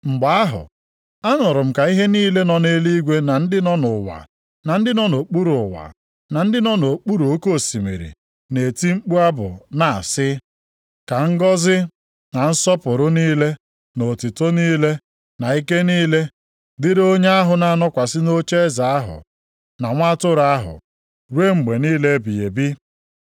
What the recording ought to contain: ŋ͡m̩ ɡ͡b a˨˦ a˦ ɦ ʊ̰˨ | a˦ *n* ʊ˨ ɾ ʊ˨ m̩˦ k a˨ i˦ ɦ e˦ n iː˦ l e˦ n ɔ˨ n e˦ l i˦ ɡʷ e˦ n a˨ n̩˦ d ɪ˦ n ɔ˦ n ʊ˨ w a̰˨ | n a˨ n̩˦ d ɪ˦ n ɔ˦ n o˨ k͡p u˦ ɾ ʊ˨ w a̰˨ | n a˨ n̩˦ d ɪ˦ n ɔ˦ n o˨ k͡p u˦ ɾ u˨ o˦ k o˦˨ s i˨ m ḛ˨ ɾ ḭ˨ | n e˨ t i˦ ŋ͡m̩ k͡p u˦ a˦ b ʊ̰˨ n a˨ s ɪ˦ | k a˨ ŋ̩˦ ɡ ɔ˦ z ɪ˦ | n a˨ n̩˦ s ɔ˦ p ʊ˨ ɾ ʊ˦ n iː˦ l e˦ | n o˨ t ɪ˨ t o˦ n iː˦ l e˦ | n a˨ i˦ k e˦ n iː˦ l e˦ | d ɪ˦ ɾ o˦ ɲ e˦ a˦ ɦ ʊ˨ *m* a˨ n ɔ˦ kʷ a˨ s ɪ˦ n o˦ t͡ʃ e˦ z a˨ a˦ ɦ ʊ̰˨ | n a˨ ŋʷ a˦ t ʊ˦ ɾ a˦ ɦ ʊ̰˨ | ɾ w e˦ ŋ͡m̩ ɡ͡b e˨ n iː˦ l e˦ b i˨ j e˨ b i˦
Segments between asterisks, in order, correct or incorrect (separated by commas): correct, incorrect